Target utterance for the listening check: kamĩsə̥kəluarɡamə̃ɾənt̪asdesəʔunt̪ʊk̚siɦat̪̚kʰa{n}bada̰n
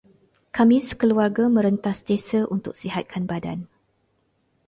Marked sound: correct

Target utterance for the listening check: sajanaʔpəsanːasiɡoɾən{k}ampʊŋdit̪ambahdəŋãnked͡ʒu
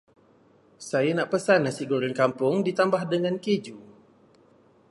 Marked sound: correct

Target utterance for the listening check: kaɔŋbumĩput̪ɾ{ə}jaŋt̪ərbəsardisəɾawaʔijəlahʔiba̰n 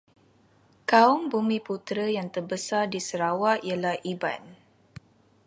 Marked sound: correct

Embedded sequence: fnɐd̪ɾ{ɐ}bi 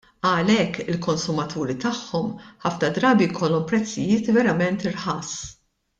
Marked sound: incorrect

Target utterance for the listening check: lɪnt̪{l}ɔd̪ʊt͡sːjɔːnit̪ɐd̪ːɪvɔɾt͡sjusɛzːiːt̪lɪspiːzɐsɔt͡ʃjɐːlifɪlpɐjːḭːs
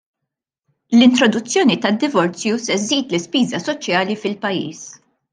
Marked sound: incorrect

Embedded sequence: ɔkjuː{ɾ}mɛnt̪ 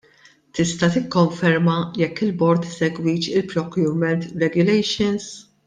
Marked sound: correct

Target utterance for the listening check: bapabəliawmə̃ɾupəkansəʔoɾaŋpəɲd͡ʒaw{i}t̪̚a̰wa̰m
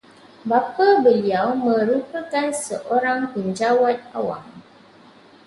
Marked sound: incorrect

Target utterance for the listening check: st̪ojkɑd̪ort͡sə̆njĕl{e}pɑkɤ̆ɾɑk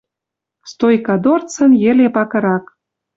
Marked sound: correct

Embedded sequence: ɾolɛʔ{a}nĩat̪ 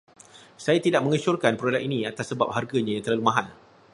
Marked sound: incorrect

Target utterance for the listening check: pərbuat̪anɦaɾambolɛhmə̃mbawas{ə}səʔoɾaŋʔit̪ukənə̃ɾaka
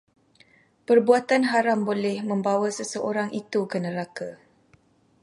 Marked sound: correct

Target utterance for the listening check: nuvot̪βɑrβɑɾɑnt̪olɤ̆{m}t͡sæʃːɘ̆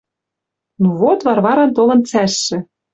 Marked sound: incorrect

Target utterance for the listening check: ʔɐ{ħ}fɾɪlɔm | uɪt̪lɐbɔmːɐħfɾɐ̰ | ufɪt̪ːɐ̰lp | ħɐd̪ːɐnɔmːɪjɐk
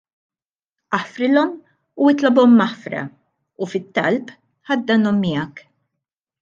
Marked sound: correct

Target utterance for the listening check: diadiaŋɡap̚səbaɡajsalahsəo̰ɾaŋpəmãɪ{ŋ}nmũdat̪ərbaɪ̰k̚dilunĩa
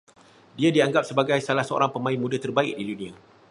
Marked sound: incorrect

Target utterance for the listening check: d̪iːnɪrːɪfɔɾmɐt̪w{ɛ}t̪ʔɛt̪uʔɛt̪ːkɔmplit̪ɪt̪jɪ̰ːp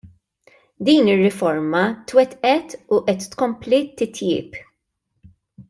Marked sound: correct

